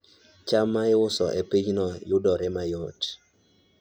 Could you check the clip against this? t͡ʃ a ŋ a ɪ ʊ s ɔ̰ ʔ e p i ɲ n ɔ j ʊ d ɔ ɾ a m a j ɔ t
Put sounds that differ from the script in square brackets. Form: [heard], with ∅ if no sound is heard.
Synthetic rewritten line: t͡ʃ a [m] a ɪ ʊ s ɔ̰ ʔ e p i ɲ n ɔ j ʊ d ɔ ɾ [ɛ] m a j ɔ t